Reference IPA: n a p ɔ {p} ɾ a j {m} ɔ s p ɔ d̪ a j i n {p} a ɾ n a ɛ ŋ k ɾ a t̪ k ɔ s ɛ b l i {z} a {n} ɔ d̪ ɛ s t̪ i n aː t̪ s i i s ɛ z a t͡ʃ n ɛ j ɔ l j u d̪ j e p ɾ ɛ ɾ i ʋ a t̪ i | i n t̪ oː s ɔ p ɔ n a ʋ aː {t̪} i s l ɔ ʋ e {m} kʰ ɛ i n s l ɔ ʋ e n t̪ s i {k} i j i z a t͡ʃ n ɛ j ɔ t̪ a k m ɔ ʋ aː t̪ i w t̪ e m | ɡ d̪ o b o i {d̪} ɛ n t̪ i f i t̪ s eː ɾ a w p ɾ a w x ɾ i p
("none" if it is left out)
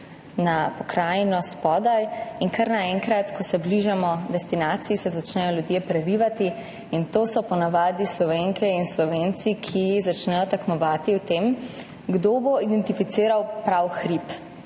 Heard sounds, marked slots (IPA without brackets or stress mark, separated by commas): k, n, k, ʒ, m, d̪, ŋ, kʰ, d̪